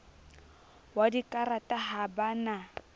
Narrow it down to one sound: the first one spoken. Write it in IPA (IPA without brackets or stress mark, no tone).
w